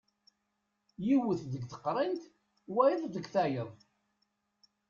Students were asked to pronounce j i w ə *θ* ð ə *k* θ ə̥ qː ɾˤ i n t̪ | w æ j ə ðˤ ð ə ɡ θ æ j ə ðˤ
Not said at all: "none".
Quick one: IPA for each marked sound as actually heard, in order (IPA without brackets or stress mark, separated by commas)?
θ, ɡ